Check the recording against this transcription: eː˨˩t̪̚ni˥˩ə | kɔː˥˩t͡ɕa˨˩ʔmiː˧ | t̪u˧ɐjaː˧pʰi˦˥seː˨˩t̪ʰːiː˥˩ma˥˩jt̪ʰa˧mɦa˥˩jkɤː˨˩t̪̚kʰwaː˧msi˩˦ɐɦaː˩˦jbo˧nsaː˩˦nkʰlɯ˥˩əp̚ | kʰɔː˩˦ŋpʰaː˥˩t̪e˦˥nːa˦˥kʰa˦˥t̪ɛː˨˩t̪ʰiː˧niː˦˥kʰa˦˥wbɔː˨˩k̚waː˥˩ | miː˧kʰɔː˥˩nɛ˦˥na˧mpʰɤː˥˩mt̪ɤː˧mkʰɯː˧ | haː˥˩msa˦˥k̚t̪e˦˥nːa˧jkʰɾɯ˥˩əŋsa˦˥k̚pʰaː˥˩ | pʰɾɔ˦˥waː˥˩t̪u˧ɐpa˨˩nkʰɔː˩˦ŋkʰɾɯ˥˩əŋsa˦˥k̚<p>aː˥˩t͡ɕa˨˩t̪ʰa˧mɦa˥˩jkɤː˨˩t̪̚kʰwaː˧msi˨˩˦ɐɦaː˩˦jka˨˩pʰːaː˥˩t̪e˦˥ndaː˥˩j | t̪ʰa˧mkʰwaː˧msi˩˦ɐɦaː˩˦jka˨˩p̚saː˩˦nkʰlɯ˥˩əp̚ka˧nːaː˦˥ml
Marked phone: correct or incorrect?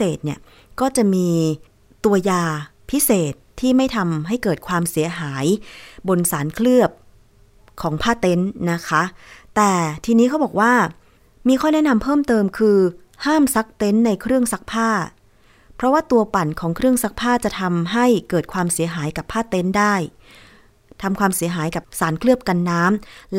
incorrect